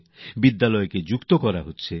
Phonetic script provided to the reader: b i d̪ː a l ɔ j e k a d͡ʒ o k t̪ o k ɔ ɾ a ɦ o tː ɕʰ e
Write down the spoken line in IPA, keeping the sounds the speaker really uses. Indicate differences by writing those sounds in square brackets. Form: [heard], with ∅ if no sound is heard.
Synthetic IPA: b i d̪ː a l ɔ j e k [e] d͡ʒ [u] k t̪ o k ɔ ɾ a ɦ o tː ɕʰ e

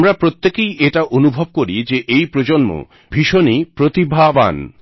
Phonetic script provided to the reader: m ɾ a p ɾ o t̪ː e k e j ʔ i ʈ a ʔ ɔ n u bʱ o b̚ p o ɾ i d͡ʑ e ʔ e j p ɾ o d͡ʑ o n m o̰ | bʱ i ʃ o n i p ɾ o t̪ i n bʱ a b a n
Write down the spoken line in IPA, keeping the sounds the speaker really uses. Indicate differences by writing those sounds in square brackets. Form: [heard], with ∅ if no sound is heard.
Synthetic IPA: m ɾ a p ɾ o t̪ː e k e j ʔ [e] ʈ a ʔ [o] n u bʱ o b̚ [k] o ɾ i d͡ʑ e ʔ e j p ɾ o d͡ʑ o n m o̰ | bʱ i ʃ o n i p ɾ o t̪ i [∅] bʱ a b a n

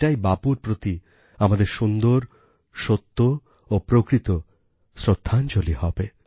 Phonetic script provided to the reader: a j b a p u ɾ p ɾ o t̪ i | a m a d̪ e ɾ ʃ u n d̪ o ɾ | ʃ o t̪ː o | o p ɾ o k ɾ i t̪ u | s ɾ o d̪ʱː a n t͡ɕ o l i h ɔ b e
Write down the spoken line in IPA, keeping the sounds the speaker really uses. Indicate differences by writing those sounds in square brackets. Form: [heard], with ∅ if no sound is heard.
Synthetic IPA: a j b a p u ɾ p ɾ o t̪ i | a m a d̪ e ɾ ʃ u n d̪ o ɾ | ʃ o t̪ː o | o p ɾ o k ɾ i t̪ [o] | s ɾ o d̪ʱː a n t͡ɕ o l i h ɔ b e

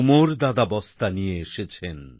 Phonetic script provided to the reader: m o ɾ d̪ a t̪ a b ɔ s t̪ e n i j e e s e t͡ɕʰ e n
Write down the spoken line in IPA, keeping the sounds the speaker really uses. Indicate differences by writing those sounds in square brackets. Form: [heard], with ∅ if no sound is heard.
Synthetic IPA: m o ɾ d̪ a [d̪] a b ɔ s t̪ [a] n i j e e [ʃ] e t͡ɕʰ e n

